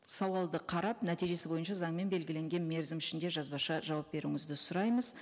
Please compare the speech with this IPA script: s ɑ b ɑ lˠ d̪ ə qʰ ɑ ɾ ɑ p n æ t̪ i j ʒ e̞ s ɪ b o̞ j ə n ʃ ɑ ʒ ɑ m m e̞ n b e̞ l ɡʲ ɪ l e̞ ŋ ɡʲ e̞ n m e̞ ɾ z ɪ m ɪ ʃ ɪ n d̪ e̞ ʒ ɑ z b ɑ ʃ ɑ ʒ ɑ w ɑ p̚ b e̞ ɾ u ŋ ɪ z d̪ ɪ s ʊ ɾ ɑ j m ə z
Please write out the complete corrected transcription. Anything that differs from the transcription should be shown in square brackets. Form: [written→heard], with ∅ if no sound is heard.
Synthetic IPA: s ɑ [b→w] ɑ lˠ d̪ ə qʰ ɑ ɾ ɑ p n æ t̪ i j ʒ e̞ s ɪ b o̞ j ə n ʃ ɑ [ʒ→z] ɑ [m→ɴ] m e̞ n b e̞ l ɡʲ ɪ l e̞ ŋ ɡʲ e̞ n m e̞ ɾ z ɪ m ɪ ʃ ɪ n d̪ e̞ ʒ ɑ z b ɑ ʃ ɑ ʒ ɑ w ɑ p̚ b e̞ ɾ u ŋ ɪ z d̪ ɪ s ʊ ɾ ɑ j m ə z